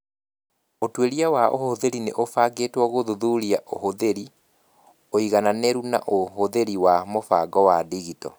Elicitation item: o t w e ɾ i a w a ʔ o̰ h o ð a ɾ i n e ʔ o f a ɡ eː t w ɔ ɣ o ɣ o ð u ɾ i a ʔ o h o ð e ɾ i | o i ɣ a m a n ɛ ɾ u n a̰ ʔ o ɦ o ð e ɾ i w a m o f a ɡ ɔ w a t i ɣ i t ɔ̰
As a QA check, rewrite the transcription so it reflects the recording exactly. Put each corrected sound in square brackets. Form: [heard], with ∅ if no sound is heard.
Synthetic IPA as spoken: o t w e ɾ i a w a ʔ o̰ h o ð [e] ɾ i n e ʔ o f a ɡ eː t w ɔ ɣ o [ð] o ð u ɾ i a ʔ o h o ð e ɾ i | o i ɣ a [n] a n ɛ ɾ u n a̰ ʔ o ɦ o ð e ɾ i w a m o f a ɡ ɔ w a [d] i ɣ i t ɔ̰